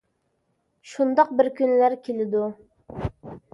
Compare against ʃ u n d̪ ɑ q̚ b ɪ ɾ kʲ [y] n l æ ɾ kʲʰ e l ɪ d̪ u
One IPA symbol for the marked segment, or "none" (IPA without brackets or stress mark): y